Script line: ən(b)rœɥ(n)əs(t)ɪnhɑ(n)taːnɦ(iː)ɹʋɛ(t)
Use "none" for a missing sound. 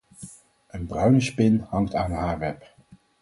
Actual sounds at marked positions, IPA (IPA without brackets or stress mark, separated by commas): b, n, p, ŋ, aː, p